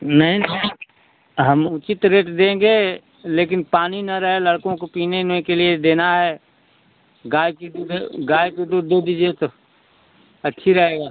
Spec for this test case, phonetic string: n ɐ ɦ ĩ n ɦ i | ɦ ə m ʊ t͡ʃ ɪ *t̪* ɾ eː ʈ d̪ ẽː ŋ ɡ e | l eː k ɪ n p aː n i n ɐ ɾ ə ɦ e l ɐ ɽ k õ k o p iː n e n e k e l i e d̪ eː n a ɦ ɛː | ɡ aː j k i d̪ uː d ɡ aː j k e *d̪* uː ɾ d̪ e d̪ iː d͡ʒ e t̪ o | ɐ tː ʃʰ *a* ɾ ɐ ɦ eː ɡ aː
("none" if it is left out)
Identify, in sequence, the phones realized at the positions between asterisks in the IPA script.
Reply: t̪, d̪, i

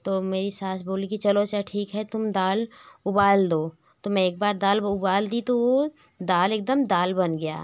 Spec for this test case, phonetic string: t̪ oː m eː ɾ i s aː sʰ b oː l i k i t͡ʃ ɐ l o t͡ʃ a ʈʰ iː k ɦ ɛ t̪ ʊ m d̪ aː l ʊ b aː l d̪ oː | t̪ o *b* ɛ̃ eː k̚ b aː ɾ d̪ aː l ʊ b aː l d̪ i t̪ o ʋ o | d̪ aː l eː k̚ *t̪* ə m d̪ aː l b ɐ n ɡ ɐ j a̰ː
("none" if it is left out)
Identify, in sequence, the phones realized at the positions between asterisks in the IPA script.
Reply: m, d̪

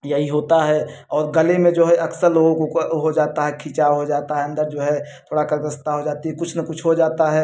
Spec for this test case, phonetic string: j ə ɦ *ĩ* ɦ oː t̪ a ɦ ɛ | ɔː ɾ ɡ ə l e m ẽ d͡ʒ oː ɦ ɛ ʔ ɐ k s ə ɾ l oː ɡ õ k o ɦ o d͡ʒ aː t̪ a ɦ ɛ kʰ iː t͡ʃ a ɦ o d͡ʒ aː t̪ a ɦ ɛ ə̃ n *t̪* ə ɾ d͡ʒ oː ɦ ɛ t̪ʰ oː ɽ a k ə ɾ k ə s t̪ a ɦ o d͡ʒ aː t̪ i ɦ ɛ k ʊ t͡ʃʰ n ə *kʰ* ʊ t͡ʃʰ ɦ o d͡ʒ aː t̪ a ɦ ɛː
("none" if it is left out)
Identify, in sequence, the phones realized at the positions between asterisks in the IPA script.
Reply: i, d̪, k

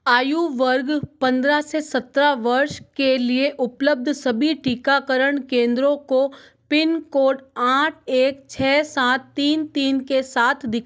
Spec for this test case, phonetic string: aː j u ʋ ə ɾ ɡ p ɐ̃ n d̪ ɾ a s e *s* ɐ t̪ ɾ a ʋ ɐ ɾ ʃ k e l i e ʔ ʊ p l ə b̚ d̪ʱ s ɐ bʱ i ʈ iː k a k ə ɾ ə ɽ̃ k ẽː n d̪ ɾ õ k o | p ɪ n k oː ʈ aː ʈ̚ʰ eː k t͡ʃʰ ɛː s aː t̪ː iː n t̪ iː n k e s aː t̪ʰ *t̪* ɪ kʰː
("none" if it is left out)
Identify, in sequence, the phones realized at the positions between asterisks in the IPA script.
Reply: s, d̪

